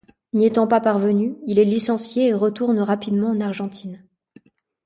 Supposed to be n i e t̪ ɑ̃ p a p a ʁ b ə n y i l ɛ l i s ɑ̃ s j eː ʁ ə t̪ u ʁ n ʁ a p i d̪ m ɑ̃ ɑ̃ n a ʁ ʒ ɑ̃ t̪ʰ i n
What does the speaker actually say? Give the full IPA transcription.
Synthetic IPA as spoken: n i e t̪ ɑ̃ p a p a ʁ v ə n y i l ɛ l i s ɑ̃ s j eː ʁ ə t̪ u ʁ n ʁ a p i d̪ m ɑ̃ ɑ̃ n a ʁ ʒ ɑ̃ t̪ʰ i n